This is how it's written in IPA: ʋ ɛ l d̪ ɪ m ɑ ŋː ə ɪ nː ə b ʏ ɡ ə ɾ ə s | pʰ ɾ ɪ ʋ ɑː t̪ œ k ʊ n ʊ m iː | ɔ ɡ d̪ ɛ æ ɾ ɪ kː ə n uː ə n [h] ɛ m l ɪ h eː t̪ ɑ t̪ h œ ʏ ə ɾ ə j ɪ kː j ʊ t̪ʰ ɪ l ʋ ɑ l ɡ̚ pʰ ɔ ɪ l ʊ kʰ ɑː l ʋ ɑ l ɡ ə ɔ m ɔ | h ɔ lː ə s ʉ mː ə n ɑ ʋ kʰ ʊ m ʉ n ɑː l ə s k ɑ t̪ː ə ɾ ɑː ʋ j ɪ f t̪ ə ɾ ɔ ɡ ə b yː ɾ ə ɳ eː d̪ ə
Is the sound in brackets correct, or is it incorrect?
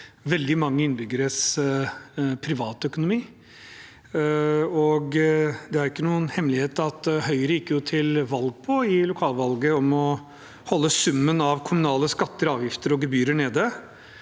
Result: correct